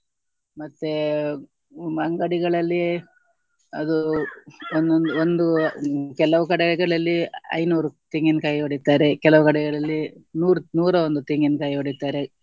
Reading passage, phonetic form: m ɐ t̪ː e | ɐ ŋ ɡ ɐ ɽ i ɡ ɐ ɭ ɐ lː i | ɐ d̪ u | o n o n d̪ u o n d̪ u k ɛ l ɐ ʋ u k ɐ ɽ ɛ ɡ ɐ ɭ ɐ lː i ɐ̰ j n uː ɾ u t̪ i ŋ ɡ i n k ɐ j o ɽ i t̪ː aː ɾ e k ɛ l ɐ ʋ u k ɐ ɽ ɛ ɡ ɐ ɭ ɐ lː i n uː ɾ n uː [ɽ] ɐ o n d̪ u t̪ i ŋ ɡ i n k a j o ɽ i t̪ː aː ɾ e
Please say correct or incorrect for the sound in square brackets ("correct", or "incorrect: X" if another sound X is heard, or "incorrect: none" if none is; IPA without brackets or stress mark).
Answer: incorrect: ɾ